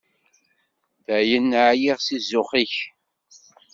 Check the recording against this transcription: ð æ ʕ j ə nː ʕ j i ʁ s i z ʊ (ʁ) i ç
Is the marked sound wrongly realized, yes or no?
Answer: yes